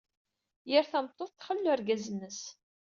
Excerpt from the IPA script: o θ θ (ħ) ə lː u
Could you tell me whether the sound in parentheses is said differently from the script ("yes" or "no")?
yes